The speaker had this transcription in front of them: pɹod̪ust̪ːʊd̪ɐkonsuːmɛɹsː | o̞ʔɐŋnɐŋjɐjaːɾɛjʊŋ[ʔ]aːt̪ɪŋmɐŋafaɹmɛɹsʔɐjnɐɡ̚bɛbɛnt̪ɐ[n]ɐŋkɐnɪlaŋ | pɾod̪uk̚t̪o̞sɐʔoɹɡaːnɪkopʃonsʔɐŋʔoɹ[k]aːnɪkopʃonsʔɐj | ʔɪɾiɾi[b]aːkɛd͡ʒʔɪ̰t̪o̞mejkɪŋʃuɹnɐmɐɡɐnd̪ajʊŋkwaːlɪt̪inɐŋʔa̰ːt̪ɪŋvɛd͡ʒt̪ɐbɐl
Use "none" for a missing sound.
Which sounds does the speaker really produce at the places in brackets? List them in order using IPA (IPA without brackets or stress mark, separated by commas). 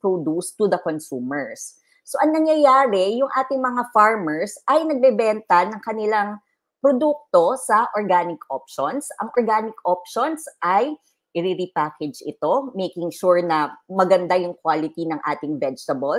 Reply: ʔ, n, ɡ, p